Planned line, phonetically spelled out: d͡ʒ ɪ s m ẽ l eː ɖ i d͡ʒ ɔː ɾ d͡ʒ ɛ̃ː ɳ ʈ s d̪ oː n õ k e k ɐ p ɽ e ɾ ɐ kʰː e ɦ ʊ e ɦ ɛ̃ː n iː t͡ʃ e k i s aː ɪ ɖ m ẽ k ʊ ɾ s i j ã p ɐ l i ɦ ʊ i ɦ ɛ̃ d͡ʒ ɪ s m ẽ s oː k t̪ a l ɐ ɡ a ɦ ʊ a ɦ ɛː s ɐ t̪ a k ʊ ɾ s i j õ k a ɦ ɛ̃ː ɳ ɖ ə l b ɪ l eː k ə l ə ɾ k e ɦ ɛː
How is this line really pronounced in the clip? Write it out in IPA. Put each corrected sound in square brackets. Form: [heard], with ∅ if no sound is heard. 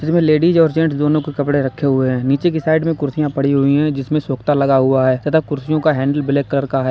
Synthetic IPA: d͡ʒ ɪ s m ẽ l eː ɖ i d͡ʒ ɔː ɾ d͡ʒ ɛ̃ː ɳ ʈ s d̪ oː n õ k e k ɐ p ɽ e ɾ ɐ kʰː e ɦ ʊ e ɦ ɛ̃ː n iː t͡ʃ e k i s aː ɪ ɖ m ẽ k ʊ ɾ s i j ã p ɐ [ɽ] i ɦ ʊ i ɦ ɛ̃ d͡ʒ ɪ s m ẽ s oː k t̪ a l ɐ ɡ a ɦ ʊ a ɦ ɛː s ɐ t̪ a k ʊ ɾ s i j õ k a ɦ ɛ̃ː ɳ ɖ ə l b ɪ l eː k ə l ə ɾ k [a] ɦ ɛː